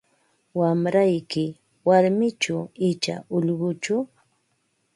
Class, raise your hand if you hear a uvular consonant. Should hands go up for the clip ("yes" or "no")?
yes